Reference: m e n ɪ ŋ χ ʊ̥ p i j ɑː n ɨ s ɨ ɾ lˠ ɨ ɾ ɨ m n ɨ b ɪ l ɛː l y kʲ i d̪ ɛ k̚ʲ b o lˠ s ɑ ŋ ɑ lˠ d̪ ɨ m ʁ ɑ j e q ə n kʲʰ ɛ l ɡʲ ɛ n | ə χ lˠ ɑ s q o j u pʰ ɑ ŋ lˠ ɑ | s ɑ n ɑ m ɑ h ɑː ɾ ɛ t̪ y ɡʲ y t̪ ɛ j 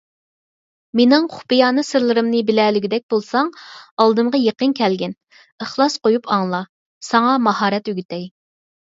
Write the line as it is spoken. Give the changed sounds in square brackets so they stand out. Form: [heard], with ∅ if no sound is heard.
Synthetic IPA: m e n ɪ ŋ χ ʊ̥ p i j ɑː n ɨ s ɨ ɾ lˠ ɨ ɾ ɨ m n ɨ b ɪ l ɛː l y [ɡʲ] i d̪ ɛ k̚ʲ b o lˠ s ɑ ŋ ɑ lˠ d̪ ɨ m ʁ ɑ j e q ə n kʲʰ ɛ l ɡʲ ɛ n | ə χ lˠ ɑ s q o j u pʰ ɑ ŋ lˠ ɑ | s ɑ [ŋ] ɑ m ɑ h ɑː ɾ ɛ t̪ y ɡʲ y t̪ ɛ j